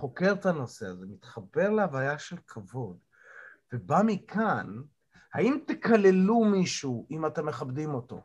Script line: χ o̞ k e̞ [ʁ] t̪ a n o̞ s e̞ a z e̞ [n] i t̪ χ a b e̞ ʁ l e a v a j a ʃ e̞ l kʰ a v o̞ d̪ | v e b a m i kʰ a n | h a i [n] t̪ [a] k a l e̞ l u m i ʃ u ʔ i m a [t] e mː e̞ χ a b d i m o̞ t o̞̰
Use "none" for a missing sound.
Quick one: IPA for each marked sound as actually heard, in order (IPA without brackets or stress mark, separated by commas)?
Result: ʁ, m, m, e, t